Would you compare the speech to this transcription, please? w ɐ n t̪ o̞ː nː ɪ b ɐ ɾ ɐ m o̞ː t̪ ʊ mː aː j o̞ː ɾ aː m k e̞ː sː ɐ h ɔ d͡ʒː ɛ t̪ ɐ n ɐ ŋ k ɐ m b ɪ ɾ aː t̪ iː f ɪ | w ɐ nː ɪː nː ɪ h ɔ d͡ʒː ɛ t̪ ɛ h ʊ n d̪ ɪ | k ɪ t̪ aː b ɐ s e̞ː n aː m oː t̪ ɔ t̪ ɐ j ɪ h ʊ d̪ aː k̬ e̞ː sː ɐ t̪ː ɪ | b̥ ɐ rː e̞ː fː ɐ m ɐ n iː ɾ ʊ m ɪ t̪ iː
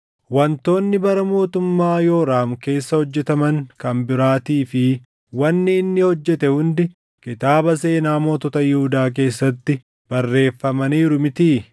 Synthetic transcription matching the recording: w ɐ n t̪ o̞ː nː ɪ b ɐ ɾ ɐ m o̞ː t̪ ʊ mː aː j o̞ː ɾ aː m k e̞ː sː ɐ h ɔ d͡ʒː ɛ t̪ ɐ m ɐ ŋ k ɐ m b ɪ ɾ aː t̪ iː f ɪ | w ɐ nː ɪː nː ɪ h ɔ d͡ʒː ɛ t̪ ɛ h ʊ n d̪ ɪ | k ɪ t̪ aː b ɐ s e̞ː n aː m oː t̪ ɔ t̪ ɐ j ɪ h ʊ d̪ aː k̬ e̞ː sː ɐ t̪ː ɪ | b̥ ɐ rː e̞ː fː ɐ m ɐ n iː ɾ ʊ m ɪ t̪ iː